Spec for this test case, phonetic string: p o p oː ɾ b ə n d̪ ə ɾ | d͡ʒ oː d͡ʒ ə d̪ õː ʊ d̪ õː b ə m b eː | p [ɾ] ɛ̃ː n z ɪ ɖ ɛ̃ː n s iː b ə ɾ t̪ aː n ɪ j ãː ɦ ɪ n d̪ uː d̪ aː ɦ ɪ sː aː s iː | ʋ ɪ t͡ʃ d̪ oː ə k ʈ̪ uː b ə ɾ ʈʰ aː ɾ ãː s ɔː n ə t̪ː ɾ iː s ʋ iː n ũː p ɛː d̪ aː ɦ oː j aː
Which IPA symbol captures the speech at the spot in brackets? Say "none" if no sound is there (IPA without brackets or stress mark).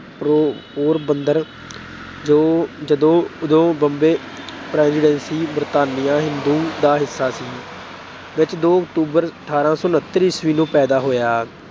ɾ